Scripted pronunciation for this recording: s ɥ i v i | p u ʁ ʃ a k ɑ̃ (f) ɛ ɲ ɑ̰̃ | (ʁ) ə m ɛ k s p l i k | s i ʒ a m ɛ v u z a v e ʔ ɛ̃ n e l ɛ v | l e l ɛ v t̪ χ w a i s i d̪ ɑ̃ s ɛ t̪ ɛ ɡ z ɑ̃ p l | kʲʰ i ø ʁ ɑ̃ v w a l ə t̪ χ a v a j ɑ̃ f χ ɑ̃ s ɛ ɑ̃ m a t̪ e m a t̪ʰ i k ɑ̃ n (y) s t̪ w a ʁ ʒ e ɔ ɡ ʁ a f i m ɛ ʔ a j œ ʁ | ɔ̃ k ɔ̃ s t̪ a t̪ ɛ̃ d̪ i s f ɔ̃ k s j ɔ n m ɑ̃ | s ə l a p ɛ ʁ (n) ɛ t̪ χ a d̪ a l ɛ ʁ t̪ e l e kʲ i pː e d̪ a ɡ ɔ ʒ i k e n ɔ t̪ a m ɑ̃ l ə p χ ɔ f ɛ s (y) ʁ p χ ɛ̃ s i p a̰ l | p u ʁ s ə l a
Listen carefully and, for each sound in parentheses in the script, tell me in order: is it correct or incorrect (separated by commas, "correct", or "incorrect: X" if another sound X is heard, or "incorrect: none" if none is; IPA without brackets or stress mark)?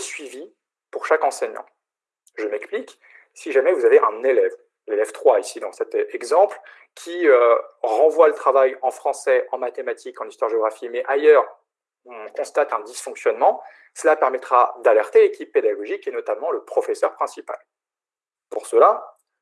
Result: incorrect: s, incorrect: ʒ, incorrect: i, incorrect: m, incorrect: œ